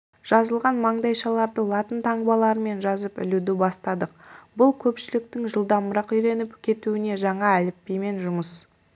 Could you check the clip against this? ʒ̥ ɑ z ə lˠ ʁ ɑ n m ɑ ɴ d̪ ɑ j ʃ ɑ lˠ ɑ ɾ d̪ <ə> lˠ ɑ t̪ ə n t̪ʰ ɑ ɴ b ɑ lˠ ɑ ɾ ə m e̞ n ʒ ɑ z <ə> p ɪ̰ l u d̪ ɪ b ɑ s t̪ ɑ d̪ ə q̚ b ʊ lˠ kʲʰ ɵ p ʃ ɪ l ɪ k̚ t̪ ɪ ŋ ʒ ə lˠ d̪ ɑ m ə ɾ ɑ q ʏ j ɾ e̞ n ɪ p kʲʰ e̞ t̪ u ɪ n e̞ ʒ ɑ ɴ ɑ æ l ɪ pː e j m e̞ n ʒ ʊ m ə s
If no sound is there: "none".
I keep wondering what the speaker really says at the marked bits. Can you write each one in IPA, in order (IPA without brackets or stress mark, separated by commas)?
ə, ə